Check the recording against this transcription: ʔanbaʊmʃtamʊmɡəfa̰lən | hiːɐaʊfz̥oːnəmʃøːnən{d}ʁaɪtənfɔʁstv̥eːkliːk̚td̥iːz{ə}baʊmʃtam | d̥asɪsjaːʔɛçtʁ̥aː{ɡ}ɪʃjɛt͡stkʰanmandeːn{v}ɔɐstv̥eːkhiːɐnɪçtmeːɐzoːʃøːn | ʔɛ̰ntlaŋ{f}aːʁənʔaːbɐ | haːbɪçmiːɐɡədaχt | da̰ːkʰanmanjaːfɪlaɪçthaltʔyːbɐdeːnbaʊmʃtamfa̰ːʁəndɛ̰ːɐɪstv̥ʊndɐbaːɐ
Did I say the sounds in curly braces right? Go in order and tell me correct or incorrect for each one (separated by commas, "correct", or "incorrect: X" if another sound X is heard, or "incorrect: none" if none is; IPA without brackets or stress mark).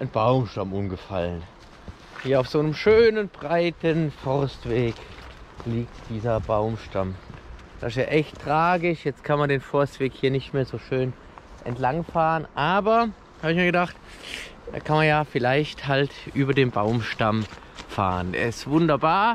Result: incorrect: b, incorrect: ɐ, correct, incorrect: f, correct